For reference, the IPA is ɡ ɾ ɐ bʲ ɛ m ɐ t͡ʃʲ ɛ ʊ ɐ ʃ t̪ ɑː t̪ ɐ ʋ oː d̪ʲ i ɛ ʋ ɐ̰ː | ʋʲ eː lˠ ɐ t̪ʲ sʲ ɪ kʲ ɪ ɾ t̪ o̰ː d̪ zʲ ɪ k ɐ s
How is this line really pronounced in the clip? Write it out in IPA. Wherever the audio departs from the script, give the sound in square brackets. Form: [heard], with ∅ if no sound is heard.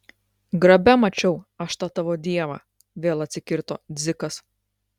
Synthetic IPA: ɡ ɾ ɐ bʲ ɛ m ɐ t͡ʃʲ ɛ ʊ ɐ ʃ t̪ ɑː t̪ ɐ ʋ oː d̪ʲ i ɛ ʋ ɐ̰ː | ʋʲ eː lˠ ɐ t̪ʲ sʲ ɪ kʲ ɪ ɾ t̪ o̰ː d̪ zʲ ɪ k ɐ s